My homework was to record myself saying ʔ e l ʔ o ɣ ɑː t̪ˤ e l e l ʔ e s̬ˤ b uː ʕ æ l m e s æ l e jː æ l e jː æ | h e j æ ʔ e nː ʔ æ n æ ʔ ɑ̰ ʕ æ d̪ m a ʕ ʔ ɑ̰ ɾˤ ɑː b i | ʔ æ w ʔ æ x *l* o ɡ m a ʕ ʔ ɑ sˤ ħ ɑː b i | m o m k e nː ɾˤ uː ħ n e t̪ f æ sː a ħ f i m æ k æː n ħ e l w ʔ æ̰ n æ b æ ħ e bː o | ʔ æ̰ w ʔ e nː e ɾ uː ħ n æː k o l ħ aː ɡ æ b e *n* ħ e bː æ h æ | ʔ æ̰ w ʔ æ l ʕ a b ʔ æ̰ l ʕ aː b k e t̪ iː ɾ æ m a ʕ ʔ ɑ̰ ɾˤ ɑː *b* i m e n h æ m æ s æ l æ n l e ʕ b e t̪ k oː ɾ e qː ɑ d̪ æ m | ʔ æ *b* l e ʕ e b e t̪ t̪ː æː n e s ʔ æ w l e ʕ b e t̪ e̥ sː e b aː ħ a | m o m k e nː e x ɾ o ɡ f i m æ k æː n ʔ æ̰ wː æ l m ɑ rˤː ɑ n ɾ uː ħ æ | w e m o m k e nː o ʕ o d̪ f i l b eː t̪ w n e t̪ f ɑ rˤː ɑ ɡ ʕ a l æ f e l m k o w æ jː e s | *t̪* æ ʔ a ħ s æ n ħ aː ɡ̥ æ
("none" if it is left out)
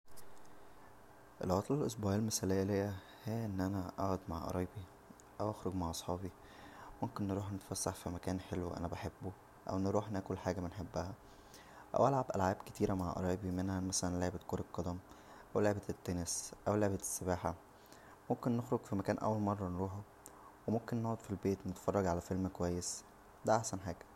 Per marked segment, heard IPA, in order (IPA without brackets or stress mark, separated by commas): ɾ, n, b, w, d̪